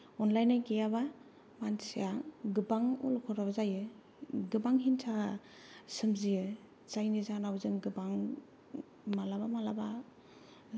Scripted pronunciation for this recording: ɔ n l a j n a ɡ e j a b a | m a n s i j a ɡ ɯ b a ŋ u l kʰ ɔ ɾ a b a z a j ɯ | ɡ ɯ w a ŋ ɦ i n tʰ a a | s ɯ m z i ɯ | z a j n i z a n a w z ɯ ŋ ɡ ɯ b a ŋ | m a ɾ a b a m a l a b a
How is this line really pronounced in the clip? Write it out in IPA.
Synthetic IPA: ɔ n l a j n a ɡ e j a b a | m a n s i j a ɡ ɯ b a ŋ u l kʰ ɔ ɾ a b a z a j ɯ | ɡ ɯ b a ŋ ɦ i n tʰ a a | s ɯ m z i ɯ | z a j n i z a n a w z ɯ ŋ ɡ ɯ b a ŋ | m a l a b a m a l a b a